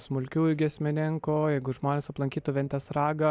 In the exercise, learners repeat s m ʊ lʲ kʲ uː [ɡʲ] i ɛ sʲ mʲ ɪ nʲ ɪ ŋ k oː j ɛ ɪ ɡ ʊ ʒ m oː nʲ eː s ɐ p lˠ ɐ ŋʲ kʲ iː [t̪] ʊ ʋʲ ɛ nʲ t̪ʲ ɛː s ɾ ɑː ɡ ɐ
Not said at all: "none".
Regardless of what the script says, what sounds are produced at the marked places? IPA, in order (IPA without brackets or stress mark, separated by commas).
ɡʲ, t̪